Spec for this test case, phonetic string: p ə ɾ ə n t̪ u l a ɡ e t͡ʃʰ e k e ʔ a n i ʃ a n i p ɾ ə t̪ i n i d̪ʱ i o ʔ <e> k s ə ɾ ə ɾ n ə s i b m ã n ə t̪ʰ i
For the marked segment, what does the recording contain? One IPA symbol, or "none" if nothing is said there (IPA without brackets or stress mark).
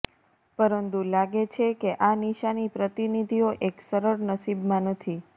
e